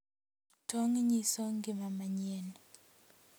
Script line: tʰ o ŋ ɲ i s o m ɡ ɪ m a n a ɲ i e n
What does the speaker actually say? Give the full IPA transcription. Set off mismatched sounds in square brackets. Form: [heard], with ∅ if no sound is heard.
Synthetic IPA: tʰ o ŋ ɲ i s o [ŋ] ɡ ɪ m a [m] a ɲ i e n